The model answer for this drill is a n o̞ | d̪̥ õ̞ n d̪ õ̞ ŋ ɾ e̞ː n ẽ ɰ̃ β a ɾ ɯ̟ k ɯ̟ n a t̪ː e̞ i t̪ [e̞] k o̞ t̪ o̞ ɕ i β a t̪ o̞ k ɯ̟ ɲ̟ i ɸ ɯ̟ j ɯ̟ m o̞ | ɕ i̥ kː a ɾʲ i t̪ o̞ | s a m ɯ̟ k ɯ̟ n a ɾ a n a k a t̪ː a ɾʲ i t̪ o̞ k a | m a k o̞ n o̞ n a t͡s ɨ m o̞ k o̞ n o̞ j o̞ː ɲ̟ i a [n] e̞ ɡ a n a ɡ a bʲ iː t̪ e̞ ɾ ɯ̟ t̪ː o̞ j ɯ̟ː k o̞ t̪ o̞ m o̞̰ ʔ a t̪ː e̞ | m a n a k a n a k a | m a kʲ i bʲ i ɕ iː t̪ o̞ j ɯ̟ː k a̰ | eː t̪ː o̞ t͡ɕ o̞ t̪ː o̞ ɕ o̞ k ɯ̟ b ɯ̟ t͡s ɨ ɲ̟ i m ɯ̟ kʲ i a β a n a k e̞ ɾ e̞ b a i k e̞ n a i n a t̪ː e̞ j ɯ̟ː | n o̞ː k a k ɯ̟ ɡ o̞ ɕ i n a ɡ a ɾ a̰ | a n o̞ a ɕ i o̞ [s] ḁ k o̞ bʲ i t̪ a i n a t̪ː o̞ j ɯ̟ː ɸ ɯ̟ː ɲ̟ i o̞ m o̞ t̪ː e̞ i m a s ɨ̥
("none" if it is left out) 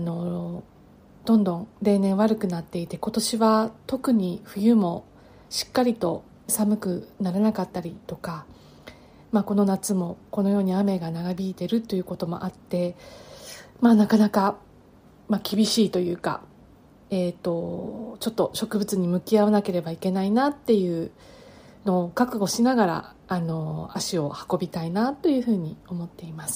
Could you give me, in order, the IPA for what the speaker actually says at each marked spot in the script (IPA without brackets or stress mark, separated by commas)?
e̞, m, h